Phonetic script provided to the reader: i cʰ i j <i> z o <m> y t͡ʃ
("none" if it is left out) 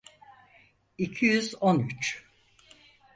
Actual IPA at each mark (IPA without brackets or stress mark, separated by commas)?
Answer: y, n